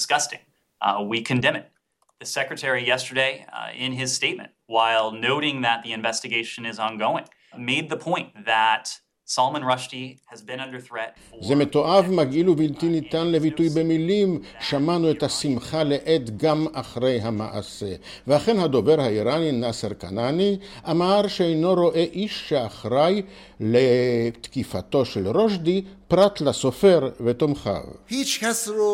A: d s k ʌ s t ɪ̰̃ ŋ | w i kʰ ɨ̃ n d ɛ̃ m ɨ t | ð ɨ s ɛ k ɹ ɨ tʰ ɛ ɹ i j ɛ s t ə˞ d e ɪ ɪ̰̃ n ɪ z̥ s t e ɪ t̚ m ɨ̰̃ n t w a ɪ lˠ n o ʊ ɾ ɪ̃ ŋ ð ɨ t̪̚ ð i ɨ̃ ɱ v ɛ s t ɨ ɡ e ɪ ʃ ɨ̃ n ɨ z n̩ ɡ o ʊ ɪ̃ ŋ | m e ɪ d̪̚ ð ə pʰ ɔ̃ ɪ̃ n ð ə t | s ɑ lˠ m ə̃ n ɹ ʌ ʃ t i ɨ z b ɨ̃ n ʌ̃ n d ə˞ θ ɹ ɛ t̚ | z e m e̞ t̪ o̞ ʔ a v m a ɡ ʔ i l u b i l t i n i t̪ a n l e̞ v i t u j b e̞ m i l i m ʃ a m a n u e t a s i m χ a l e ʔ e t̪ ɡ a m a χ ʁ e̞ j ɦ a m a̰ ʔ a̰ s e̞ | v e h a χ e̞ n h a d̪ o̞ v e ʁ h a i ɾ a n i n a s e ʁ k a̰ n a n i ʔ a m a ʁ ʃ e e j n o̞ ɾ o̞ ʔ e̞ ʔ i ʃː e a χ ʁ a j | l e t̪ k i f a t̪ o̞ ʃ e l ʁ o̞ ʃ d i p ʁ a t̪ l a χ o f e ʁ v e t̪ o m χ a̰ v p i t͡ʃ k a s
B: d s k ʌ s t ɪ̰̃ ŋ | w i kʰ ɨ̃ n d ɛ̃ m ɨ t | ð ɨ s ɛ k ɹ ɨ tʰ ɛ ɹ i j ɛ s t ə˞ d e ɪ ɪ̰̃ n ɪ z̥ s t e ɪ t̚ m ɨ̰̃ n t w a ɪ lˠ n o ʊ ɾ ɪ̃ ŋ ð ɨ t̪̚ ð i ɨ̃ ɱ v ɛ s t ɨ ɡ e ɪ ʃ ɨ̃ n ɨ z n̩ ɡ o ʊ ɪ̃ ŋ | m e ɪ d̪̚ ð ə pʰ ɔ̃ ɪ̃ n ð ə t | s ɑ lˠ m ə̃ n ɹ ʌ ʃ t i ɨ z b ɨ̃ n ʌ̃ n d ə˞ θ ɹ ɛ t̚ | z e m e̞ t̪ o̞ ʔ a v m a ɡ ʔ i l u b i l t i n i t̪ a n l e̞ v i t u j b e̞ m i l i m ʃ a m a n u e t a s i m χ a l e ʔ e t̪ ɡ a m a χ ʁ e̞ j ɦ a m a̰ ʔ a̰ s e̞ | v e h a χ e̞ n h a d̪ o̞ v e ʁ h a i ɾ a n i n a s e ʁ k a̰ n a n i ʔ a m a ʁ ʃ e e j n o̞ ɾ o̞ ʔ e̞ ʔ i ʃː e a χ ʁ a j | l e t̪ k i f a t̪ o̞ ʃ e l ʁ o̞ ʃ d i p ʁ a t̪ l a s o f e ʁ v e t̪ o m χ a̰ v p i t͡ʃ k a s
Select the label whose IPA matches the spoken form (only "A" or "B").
B